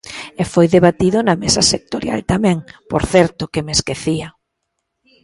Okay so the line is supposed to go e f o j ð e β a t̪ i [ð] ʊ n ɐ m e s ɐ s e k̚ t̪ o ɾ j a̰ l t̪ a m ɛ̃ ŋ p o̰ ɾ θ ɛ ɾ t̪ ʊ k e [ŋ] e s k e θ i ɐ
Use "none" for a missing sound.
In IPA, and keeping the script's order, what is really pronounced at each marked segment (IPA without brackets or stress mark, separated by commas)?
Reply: ð, m